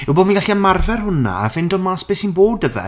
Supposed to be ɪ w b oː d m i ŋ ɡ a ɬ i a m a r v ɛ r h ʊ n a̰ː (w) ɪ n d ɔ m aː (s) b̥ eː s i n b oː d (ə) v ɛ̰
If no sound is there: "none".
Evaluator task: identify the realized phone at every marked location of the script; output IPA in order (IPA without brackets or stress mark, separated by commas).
v, s, ə